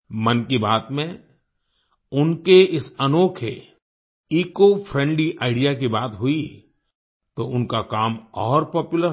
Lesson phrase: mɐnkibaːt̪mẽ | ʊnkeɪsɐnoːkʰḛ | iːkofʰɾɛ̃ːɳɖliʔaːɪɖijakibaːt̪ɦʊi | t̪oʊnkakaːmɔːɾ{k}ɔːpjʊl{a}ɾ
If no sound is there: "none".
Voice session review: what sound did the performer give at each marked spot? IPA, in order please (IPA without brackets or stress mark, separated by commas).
p, ə